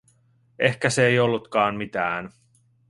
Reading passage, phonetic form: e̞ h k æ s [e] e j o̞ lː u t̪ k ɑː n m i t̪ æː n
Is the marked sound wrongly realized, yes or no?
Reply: no